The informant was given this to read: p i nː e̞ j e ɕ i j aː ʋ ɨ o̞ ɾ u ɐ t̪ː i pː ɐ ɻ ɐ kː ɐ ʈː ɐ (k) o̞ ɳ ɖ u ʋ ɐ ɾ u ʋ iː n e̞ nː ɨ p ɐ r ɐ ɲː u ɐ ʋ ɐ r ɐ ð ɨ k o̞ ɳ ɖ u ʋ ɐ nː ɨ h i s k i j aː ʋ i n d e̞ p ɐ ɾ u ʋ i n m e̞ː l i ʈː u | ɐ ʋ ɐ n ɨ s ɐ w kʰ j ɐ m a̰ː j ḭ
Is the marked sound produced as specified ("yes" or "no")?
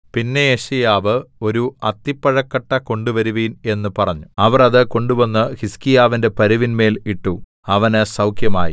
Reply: yes